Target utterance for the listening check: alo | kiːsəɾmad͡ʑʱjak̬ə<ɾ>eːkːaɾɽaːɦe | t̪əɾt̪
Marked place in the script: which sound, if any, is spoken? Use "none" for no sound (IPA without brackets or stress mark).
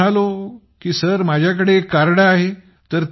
ɽ